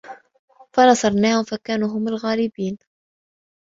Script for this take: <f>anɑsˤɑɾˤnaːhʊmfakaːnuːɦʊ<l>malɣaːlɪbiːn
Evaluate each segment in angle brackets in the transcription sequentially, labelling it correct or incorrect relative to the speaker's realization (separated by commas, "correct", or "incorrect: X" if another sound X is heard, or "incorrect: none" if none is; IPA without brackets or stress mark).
correct, incorrect: none